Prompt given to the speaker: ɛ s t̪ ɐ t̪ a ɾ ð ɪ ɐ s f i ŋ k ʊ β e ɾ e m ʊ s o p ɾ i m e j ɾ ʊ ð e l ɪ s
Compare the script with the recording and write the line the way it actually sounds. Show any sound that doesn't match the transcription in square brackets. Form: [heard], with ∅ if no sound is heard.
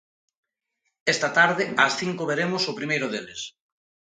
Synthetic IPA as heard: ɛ s t̪ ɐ t̪ a ɾ ð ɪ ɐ s [θ] i ŋ k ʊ β e ɾ e m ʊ s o p ɾ i m e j ɾ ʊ ð e l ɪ s